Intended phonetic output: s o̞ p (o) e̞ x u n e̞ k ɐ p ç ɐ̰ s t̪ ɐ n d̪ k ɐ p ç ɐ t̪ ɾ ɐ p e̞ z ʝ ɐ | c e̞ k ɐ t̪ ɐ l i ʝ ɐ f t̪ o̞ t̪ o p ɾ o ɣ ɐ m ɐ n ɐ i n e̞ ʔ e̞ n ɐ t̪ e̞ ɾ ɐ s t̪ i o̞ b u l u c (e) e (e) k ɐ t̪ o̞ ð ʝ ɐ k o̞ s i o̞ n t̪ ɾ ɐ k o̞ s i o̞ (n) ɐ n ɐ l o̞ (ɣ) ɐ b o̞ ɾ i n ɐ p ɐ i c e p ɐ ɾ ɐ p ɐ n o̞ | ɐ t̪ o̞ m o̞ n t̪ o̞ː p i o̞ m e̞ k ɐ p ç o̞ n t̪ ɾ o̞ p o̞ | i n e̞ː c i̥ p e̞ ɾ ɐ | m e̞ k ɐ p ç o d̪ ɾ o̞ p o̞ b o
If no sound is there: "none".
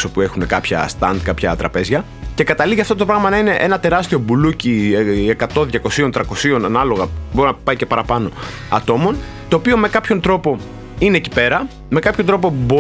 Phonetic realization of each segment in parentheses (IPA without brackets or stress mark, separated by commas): u, i, e, n, ɣ